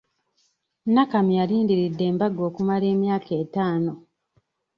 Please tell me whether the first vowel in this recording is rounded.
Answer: no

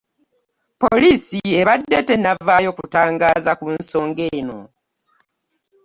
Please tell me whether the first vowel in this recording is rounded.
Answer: yes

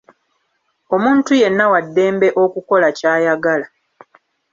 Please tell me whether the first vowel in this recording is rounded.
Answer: yes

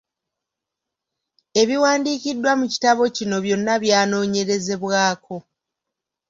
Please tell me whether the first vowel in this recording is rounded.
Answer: no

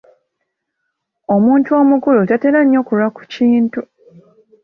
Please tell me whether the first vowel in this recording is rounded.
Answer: yes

